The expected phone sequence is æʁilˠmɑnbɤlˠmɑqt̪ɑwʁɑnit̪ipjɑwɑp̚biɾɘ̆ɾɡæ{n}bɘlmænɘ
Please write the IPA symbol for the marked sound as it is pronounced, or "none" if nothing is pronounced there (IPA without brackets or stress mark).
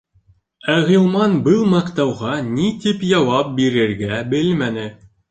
none